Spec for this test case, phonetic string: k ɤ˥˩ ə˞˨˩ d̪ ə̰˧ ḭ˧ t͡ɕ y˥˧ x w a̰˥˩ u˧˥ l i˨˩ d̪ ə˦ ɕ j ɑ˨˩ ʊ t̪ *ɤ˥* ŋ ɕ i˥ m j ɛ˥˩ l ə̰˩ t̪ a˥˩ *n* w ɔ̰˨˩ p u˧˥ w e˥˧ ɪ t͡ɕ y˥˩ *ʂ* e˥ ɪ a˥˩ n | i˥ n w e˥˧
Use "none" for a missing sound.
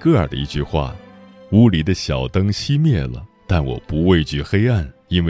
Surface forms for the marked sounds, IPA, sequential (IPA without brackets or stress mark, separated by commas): ɤ˥, n, x